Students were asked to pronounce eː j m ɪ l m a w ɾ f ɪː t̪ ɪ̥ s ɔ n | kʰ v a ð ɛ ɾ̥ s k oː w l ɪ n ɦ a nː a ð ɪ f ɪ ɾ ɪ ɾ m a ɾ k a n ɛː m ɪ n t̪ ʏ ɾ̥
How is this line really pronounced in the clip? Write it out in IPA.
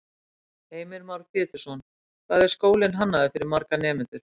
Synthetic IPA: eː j m ɪ ɾ m a w ɾ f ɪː t̪ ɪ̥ s ɔ n | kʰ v a ð ɛ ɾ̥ s k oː w l ɪ n ɦ a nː a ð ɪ f ɪ ɾ ɪ ɾ m a ɾ k a n ɛː m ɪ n t̪ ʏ ɾ̥